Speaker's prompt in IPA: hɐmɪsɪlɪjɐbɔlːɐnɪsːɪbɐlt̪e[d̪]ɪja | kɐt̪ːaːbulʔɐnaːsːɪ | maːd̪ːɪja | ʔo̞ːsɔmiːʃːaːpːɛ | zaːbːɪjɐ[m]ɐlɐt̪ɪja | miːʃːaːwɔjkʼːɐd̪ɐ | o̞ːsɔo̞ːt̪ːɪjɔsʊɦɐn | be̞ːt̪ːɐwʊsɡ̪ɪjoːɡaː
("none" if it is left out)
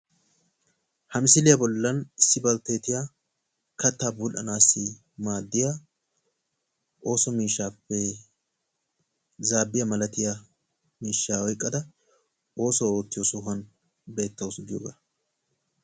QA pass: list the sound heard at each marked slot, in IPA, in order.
t̪, m

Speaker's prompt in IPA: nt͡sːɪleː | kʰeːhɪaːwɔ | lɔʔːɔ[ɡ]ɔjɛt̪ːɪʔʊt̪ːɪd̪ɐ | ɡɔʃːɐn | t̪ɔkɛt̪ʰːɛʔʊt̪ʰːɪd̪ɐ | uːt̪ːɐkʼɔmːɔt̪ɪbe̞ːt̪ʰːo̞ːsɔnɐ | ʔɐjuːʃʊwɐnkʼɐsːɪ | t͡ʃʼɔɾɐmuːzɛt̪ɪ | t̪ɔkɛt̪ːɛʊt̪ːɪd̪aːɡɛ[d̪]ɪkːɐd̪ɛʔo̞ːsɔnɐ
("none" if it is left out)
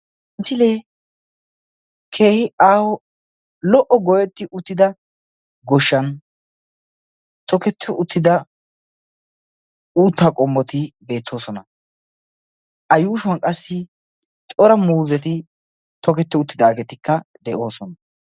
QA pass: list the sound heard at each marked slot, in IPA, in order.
ɡ, t̪

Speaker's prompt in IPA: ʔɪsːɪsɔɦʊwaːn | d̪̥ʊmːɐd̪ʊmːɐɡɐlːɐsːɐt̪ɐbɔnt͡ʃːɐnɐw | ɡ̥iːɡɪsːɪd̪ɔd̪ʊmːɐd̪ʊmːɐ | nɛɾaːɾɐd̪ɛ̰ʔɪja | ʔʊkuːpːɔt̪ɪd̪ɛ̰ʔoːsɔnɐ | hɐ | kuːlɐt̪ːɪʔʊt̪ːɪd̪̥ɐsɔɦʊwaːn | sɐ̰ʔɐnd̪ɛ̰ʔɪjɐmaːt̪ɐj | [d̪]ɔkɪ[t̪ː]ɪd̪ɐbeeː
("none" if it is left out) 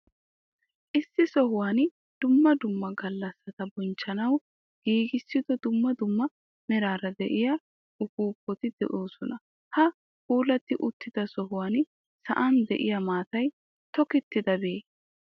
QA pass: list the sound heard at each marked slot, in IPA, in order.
t̪, t̪ː

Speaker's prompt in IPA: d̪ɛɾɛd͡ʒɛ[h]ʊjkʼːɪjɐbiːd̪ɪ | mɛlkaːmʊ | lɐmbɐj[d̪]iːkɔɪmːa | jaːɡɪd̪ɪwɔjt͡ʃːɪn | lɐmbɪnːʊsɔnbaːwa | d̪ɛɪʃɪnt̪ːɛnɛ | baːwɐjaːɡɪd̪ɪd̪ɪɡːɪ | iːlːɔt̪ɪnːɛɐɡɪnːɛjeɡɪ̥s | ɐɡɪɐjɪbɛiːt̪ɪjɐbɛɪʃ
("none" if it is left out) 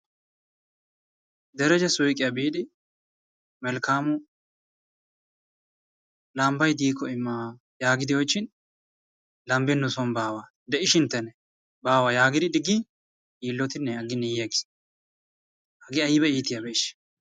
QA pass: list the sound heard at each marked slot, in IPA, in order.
s, d̪

